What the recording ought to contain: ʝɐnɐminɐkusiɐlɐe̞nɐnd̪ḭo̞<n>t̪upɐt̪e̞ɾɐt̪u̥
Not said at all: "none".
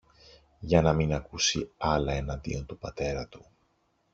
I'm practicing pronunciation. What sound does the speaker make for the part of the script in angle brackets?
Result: n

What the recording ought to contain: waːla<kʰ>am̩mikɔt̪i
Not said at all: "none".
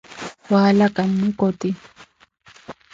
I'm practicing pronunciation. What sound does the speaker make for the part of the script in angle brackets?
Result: k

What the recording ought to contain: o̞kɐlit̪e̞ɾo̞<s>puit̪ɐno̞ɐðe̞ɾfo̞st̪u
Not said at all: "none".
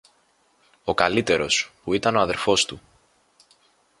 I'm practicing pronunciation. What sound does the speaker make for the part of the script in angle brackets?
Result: s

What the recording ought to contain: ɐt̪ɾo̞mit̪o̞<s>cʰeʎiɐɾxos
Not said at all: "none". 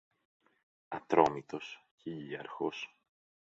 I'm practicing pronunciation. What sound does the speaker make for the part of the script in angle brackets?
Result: s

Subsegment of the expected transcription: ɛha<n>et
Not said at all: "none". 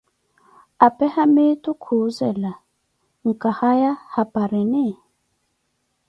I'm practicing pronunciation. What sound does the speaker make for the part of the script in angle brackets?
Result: m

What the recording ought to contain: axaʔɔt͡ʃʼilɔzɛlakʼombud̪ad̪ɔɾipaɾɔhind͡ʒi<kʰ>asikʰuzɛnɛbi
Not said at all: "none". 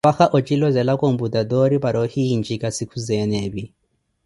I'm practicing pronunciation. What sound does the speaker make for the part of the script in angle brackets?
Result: k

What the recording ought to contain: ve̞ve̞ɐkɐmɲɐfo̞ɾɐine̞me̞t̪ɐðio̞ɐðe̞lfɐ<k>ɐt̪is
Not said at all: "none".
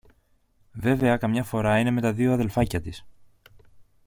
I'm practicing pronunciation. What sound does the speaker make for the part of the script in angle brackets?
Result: c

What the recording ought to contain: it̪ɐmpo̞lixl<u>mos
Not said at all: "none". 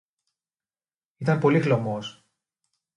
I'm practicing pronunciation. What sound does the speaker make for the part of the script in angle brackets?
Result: o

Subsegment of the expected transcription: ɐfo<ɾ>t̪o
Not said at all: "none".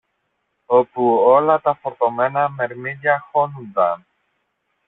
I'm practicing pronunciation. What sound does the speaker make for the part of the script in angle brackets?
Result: ɾ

